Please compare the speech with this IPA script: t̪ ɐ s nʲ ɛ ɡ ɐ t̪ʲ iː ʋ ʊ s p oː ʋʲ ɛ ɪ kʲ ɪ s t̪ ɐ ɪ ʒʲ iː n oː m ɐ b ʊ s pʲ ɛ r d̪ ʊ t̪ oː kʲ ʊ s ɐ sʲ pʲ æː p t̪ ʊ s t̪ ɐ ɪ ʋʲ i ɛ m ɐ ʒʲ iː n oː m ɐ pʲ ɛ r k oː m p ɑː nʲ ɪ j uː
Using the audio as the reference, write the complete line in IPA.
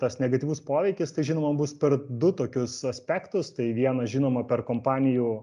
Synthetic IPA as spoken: t̪ ɐ s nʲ ɛ ɡ ɐ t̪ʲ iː ʋ ʊ s p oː ʋʲ ɛ ɪ kʲ ɪ s t̪ ɐ ɪ ʒʲ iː n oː m ɐ b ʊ s pʲ ɛ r d̪ ʊ t̪ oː kʲ ʊ s ɐ sʲ pʲ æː k t̪ ʊ s t̪ ɐ ɪ ʋʲ i ɛ n ɐ ʒʲ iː n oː m ɐ pʲ ɛ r k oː m p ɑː nʲ ɪ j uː